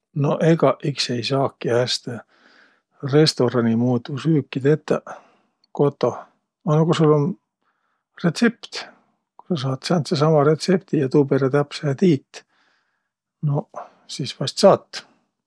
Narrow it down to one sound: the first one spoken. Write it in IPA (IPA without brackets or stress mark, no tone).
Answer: n